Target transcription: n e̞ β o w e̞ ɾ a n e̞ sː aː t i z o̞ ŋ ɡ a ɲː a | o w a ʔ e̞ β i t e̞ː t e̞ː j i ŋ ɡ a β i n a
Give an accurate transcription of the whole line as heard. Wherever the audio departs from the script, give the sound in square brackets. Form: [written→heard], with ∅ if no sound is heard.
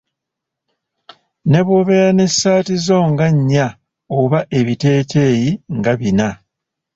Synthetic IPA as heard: n e̞ β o [w→β] e̞ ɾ a n e̞ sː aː t i z o̞ ŋ ɡ a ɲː a | o [w→β] a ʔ e̞ β i t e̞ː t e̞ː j i ŋ ɡ a β i n a